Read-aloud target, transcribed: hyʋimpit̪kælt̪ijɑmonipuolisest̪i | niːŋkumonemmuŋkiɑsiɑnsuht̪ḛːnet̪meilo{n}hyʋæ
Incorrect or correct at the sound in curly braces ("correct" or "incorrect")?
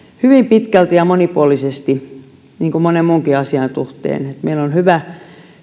correct